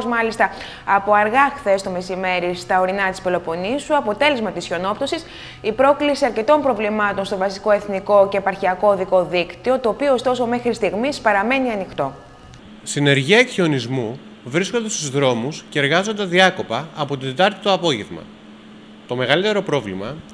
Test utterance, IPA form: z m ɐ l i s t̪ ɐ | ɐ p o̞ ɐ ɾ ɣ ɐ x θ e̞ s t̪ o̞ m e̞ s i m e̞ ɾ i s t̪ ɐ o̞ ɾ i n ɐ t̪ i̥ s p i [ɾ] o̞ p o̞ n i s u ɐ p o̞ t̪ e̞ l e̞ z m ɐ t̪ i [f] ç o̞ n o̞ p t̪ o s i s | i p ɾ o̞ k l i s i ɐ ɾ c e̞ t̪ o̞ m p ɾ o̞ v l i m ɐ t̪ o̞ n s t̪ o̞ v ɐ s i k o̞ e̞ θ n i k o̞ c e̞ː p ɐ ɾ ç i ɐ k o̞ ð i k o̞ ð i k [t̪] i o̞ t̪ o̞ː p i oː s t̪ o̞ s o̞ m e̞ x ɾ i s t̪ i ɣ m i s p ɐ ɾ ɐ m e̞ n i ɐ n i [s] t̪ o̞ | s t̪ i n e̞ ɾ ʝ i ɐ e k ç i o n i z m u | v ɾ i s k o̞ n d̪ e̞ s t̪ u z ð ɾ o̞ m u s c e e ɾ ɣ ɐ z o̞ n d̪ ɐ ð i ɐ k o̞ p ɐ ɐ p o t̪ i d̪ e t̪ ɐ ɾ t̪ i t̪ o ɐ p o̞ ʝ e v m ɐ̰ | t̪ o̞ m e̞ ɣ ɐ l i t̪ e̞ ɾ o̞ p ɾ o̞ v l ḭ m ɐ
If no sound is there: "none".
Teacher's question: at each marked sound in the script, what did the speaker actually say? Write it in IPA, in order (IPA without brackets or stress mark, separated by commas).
l, s, t̪, x